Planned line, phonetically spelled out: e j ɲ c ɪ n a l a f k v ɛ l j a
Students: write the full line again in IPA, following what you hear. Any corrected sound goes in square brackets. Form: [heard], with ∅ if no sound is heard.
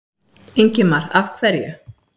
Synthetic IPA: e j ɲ c ɪ [m] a [ɾ] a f [kʰ] v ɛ [ɾ] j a